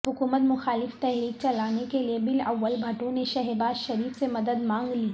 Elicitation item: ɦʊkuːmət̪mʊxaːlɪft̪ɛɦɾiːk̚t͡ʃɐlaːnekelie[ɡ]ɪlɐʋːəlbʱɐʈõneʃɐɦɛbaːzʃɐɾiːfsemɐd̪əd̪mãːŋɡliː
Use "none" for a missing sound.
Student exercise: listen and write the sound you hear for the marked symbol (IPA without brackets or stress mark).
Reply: b